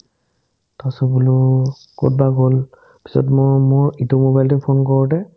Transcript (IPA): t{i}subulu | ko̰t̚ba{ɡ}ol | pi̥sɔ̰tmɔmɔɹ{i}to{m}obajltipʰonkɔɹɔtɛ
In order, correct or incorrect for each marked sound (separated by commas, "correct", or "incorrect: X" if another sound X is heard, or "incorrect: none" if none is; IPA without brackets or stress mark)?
incorrect: a, correct, correct, correct